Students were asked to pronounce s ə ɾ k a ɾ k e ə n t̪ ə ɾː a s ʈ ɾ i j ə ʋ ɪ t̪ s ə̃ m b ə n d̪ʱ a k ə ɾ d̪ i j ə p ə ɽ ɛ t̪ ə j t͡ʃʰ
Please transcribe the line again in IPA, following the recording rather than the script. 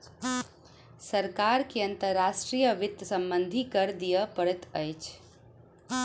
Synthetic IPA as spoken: s ə ɾ k a ɾ k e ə n t̪ ə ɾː a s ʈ ɾ i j ə ʋ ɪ t̪ s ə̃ m b ə n d̪ʱ i k ə ɾ d̪ i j ə p ə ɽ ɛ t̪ ə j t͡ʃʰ